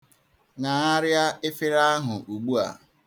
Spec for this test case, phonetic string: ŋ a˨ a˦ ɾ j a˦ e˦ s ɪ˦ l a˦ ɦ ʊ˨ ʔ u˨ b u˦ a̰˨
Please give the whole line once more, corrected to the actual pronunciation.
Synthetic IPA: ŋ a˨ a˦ ɾ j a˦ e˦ f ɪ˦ ɾ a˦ ɦ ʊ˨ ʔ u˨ ɡ͡b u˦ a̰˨